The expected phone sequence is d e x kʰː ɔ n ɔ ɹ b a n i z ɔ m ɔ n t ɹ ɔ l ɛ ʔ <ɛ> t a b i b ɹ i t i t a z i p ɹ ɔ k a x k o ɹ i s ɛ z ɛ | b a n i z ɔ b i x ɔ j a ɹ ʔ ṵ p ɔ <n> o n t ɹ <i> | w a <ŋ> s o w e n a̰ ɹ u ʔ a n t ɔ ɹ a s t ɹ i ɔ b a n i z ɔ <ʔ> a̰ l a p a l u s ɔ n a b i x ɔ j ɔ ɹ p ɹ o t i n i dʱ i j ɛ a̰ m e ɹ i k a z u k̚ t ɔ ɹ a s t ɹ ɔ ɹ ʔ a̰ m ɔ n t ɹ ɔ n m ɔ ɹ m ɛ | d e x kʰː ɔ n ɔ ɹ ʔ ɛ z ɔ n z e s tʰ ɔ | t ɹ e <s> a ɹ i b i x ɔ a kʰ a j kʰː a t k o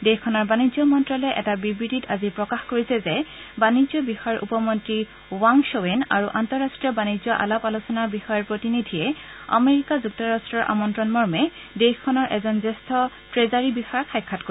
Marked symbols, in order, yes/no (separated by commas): yes, no, yes, yes, yes, no